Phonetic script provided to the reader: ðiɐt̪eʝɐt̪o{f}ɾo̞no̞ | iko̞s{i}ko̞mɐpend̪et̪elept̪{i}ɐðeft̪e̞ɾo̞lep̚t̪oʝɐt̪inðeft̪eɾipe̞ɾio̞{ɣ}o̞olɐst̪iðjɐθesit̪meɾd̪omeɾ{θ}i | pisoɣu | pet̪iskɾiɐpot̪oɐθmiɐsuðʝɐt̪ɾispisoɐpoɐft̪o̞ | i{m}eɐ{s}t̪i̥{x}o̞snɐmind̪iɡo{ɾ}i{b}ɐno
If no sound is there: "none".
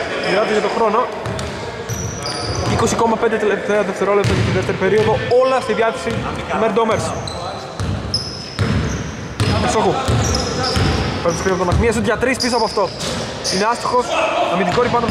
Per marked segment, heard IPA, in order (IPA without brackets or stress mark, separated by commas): x, i, e, ð, s, n, s, x, ɾ, p